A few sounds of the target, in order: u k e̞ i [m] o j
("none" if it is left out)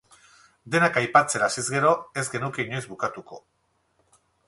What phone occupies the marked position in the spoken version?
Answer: ɲ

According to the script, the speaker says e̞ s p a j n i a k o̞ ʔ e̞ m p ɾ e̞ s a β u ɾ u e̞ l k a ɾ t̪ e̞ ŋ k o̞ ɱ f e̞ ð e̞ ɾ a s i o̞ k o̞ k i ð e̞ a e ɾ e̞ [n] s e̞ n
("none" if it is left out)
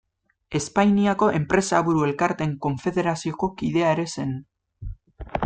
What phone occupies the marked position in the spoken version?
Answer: none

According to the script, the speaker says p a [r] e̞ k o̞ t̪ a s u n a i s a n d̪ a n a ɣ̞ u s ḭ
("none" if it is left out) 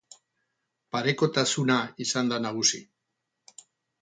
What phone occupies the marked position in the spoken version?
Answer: ɾ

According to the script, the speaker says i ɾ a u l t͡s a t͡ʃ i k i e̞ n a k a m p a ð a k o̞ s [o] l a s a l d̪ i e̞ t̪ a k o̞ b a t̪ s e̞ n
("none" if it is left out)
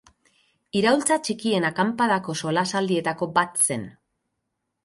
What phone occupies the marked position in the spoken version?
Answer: o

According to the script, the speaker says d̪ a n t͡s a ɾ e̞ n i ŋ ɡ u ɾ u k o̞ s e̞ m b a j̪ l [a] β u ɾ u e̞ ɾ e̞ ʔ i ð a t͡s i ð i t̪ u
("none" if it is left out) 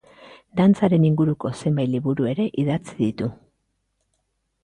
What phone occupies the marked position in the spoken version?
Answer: i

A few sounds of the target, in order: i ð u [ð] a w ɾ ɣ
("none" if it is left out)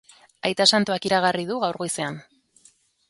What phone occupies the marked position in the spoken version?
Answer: ɣ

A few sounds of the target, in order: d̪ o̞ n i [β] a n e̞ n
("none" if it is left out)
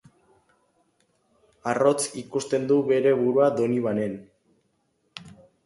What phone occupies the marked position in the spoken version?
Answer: β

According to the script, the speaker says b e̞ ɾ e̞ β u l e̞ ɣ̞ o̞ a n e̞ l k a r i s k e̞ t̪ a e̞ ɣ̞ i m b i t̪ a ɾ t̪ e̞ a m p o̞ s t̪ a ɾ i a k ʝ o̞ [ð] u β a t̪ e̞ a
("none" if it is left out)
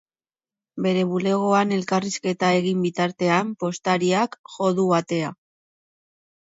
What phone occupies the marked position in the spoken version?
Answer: ð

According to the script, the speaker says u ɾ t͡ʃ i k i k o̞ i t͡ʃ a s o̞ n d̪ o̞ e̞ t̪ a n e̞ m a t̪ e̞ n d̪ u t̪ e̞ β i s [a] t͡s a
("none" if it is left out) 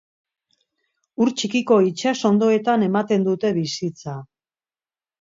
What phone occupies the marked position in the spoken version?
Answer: i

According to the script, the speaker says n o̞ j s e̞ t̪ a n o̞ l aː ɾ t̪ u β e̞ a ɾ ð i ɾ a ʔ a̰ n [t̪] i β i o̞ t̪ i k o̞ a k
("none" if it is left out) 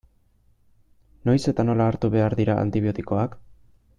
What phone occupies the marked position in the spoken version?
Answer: t̪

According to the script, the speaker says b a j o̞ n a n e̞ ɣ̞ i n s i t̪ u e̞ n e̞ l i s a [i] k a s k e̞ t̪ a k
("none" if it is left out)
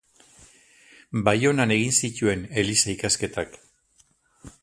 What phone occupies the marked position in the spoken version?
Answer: i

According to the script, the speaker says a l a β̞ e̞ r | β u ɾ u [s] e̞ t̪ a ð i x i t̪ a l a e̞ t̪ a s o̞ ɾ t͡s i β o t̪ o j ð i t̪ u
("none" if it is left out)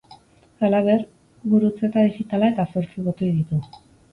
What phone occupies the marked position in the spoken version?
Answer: t͡s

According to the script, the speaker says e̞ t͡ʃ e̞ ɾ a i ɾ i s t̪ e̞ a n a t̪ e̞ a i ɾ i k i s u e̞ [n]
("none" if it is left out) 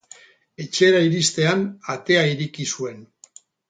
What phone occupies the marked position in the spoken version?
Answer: n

